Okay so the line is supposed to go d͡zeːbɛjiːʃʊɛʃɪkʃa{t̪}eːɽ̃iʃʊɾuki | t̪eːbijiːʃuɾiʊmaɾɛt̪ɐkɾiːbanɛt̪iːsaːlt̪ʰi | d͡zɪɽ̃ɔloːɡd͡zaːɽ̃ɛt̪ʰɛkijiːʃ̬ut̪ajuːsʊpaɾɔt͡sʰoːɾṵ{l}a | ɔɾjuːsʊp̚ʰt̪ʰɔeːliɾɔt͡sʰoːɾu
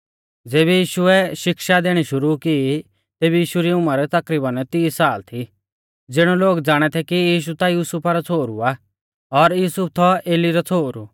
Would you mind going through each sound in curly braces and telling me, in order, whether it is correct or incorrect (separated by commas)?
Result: incorrect, incorrect